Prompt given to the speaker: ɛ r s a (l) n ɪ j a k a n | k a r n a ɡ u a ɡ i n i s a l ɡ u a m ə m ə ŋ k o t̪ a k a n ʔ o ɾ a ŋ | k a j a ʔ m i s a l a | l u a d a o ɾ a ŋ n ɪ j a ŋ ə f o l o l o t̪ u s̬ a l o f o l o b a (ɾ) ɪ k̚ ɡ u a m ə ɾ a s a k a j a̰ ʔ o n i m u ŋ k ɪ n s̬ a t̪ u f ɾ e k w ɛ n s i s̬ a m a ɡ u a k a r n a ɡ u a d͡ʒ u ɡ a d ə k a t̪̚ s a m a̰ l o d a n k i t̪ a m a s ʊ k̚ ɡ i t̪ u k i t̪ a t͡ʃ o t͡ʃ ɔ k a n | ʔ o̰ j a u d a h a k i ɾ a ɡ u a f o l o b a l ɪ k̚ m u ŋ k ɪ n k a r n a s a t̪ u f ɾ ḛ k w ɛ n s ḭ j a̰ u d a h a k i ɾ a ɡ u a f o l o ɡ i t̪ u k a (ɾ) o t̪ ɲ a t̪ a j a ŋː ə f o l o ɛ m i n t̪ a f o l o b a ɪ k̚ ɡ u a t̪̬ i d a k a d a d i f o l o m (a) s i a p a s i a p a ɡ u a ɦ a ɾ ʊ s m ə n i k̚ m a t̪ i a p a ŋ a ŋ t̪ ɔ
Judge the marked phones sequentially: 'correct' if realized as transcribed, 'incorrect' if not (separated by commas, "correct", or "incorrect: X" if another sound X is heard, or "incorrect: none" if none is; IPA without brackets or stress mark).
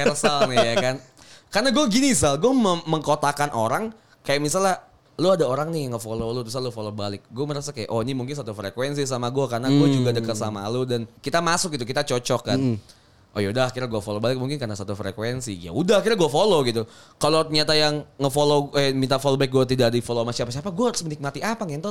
correct, incorrect: l, incorrect: l, correct